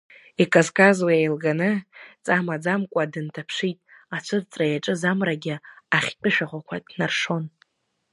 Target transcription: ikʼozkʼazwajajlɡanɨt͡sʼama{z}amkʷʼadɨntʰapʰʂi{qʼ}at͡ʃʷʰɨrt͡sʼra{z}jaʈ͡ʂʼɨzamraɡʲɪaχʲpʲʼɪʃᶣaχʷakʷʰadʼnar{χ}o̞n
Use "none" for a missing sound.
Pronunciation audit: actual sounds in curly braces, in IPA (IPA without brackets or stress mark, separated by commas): d͡z, tʼ, none, ʂ